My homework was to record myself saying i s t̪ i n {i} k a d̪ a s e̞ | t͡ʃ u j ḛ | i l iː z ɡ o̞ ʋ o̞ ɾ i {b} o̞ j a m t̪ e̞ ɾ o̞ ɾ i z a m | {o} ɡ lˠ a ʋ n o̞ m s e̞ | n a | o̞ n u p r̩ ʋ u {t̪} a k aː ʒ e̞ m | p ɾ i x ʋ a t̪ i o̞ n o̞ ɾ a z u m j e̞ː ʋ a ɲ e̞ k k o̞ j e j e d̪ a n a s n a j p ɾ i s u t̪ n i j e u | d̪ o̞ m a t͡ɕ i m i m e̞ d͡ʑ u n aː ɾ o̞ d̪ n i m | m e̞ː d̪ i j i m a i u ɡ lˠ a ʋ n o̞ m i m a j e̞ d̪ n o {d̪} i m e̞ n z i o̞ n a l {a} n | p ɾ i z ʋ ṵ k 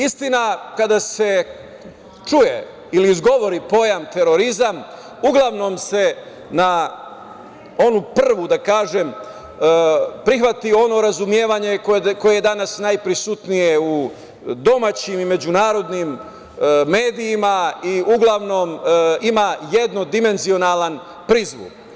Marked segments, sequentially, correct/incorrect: incorrect, incorrect, incorrect, incorrect, correct, correct

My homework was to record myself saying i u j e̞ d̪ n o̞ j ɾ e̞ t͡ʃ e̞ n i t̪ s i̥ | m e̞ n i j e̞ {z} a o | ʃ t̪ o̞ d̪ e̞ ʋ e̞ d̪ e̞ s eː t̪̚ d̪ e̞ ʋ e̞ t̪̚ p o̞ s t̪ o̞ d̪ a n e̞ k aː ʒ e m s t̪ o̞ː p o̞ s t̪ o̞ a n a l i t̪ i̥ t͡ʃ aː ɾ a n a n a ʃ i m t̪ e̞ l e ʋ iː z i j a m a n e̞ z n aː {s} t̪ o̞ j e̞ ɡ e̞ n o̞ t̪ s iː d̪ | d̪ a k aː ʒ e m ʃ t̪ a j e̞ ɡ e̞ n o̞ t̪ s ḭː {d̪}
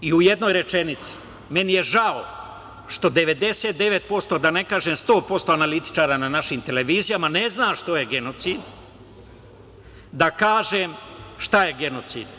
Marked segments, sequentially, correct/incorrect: incorrect, incorrect, correct

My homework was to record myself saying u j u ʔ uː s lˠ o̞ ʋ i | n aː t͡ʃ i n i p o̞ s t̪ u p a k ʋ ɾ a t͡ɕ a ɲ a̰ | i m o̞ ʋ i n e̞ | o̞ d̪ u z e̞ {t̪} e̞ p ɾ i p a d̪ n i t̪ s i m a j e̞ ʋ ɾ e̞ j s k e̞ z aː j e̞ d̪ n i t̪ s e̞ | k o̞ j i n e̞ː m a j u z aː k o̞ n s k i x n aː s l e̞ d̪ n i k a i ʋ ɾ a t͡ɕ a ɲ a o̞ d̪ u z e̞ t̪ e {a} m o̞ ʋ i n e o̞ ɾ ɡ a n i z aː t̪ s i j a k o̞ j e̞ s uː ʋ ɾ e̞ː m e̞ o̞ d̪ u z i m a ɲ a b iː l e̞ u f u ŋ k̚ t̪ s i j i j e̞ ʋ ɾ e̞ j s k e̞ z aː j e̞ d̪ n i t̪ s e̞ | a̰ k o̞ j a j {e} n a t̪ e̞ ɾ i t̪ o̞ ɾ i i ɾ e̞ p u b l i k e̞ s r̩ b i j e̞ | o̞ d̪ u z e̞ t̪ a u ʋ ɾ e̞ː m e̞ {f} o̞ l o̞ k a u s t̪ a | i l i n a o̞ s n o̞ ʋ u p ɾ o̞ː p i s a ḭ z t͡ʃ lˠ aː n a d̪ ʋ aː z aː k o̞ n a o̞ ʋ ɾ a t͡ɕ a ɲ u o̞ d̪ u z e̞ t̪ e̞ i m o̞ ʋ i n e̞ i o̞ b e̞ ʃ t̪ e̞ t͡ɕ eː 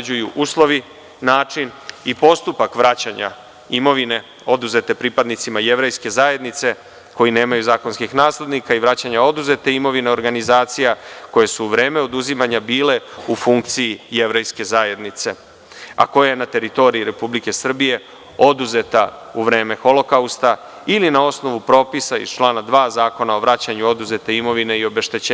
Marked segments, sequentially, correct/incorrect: correct, incorrect, correct, incorrect

